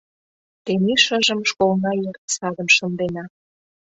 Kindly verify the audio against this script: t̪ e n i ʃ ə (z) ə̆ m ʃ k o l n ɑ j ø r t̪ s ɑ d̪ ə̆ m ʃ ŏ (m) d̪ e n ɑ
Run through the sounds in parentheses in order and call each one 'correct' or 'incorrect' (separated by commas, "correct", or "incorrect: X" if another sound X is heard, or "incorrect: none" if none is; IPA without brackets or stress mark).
incorrect: ʒ, incorrect: n